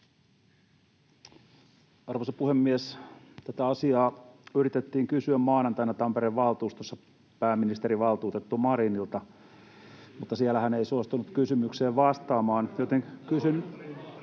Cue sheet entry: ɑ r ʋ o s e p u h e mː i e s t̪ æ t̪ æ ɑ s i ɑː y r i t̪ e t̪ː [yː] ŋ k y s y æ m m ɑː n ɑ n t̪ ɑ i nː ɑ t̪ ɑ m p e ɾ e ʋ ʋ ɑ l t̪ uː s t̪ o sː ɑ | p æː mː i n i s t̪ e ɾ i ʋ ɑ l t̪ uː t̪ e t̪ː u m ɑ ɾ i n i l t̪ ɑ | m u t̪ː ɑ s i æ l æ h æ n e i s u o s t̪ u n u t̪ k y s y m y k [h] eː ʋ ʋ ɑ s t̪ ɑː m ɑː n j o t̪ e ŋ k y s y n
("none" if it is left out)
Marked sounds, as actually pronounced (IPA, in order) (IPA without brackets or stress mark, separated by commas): iː, s